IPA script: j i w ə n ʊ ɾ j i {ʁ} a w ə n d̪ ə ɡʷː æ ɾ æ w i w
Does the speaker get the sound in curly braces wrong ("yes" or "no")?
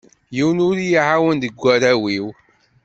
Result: yes